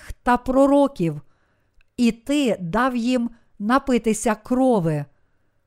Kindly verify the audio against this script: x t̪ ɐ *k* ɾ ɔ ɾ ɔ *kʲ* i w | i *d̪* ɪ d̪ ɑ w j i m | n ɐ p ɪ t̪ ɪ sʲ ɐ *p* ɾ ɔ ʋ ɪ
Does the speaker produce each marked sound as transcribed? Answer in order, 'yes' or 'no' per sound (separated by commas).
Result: no, yes, no, no